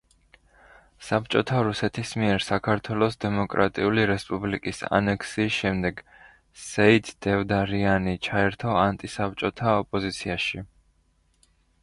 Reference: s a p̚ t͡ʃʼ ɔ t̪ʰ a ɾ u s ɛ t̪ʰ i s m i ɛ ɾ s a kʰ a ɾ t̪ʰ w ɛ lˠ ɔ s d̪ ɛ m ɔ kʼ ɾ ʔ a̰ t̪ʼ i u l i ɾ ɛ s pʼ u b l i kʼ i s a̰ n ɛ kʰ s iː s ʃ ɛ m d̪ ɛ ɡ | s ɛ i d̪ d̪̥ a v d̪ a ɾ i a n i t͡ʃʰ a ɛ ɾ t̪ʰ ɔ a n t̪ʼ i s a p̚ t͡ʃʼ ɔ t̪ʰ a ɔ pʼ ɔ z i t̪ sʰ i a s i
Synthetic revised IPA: s a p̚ t͡ʃʼ ɔ t̪ʰ a ɾ u s ɛ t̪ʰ i s m i ɛ ɾ s a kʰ a ɾ t̪ʰ w ɛ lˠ ɔ s d̪ ɛ m ɔ kʼ ɾ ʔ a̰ t̪ʼ i u l i ɾ ɛ s pʼ u b l i kʼ i s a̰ n ɛ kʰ s iː s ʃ ɛ m d̪ ɛ ɡ | s ɛ i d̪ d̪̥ ɛ v d̪ a ɾ i a n i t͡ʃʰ a ɛ ɾ t̪ʰ ɔ a n t̪ʼ i s a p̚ t͡ʃʼ ɔ t̪ʰ a ɔ pʼ ɔ z i t̪ sʰ i a ʃ i